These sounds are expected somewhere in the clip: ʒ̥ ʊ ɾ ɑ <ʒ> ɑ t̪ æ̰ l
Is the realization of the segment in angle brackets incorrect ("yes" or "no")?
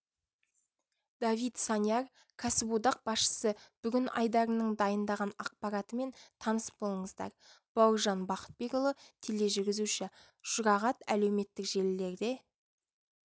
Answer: yes